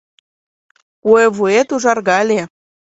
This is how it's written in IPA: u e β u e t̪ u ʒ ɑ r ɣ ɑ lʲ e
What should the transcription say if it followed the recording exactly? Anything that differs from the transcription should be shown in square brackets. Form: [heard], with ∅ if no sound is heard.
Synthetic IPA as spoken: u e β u e t̪ u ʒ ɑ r ɣ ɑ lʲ e